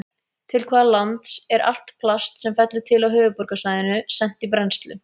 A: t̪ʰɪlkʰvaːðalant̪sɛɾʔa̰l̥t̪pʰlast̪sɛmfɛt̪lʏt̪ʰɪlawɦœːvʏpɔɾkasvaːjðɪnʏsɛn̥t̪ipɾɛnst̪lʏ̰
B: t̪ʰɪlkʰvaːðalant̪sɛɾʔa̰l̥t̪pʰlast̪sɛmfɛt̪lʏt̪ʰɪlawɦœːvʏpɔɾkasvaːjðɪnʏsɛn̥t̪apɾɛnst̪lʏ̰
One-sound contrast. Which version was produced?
A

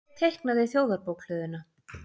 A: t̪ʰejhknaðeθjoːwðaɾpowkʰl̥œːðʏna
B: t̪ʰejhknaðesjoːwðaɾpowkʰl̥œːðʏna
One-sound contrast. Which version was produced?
A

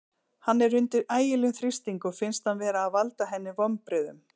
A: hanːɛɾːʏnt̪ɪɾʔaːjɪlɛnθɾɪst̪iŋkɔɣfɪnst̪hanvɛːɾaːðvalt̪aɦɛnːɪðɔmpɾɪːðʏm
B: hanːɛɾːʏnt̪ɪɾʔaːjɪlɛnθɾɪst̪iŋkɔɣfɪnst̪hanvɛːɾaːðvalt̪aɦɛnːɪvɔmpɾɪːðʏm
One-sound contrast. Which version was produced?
B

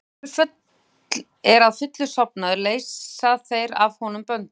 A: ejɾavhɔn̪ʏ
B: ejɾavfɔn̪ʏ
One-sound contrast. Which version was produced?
A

